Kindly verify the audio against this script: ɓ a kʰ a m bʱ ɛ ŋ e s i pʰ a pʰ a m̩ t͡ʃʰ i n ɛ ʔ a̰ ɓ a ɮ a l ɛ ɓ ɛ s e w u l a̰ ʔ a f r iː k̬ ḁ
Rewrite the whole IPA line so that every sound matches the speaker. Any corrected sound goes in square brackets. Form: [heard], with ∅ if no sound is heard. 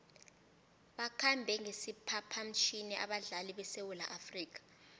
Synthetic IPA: ɓ a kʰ a m bʱ ɛ ŋ e s i pʰ a pʰ a m̩ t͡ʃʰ i n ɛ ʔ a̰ ɓ a ɮ a l [i] ɓ ɛ s e w u l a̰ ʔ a f r iː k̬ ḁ